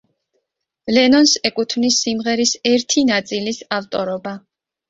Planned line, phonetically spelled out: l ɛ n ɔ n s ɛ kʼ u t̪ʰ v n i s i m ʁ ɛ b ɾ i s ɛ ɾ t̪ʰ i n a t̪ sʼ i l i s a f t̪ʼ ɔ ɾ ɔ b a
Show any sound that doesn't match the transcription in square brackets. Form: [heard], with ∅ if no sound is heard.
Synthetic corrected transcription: l ɛ n ɔ n s ɛ kʼ u t̪ʰ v n i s i m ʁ ɛ [∅] ɾ i s ɛ ɾ t̪ʰ i n a t̪ sʼ i l i s a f t̪ʼ ɔ ɾ ɔ b a

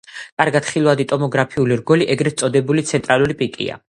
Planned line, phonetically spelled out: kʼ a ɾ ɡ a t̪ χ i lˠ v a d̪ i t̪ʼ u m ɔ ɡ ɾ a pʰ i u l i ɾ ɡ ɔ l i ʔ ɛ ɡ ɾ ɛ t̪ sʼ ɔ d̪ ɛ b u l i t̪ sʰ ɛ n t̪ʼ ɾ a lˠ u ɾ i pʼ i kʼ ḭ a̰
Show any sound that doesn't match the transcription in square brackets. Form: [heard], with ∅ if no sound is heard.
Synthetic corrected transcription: kʼ a ɾ ɡ a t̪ χ i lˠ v a d̪ i t̪ʼ [ɔ] m ɔ ɡ ɾ a pʰ i u l i ɾ ɡ ɔ l i ʔ ɛ ɡ ɾ ɛ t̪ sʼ ɔ d̪ ɛ b u l i t̪ sʰ ɛ n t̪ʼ ɾ a lˠ u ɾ i pʼ i kʼ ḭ a̰

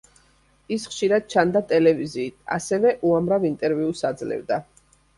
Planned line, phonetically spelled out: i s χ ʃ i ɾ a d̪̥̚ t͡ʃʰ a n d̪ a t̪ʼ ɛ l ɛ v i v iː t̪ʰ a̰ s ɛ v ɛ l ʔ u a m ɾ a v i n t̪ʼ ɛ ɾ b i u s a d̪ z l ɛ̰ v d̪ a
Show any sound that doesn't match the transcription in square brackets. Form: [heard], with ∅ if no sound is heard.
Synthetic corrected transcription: i s χ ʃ i ɾ a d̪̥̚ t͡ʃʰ a n d̪ a t̪ʼ ɛ l ɛ v i [z] iː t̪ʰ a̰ s ɛ v ɛ [∅] ʔ u a m ɾ a v i n t̪ʼ ɛ ɾ [v] i u s a d̪ z l ɛ̰ v d̪ a

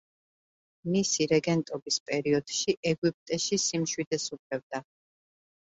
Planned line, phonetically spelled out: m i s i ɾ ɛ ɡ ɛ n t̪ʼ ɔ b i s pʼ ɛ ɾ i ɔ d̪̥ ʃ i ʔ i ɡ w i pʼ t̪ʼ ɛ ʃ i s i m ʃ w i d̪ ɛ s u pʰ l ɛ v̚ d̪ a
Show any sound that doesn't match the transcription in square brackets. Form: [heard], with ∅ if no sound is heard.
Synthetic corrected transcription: m i s i ɾ ɛ ɡ ɛ n t̪ʼ ɔ b i s pʼ ɛ ɾ i ɔ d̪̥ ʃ i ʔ [ɛ] ɡ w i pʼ t̪ʼ ɛ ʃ i s i m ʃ w i d̪ ɛ s u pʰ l ɛ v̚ d̪ a

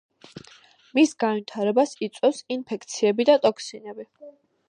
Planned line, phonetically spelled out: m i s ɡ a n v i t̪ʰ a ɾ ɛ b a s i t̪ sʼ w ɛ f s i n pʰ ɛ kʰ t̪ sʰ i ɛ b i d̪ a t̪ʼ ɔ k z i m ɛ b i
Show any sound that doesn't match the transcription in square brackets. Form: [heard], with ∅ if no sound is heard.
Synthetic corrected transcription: m i s ɡ a n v i t̪ʰ a ɾ ɛ b a s i t̪ sʼ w ɛ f s i n pʰ ɛ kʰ t̪ sʰ i ɛ b i d̪ a t̪ʼ ɔ k [s] i [n] ɛ b i

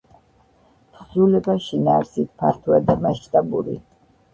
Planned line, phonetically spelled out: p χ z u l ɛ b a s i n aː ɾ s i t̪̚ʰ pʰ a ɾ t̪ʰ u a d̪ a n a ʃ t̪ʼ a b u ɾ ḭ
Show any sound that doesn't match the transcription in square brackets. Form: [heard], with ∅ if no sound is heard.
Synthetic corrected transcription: p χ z u l ɛ b a [ʃ] i n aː ɾ s i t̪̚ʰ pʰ a ɾ t̪ʰ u a d̪ a [m] a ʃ t̪ʼ a b u ɾ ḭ

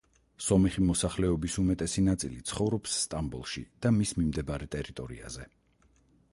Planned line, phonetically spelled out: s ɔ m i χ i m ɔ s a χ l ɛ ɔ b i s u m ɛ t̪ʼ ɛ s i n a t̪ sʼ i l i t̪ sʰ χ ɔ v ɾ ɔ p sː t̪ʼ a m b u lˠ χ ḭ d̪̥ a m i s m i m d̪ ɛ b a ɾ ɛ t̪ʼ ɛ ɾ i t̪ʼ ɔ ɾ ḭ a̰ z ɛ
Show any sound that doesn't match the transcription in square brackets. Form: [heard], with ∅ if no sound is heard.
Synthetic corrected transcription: s ɔ m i χ i m ɔ s a χ l ɛ ɔ b i s u m ɛ t̪ʼ ɛ s i n a t̪ sʼ i l i t̪ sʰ χ ɔ v ɾ ɔ p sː t̪ʼ a m b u lˠ [ʃ] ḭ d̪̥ a m i s m i m d̪ ɛ b a ɾ ɛ t̪ʼ ɛ ɾ i t̪ʼ ɔ ɾ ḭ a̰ z ɛ

